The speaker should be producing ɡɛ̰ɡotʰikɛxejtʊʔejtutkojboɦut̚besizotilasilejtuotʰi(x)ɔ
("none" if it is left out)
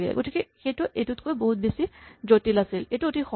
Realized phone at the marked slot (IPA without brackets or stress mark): x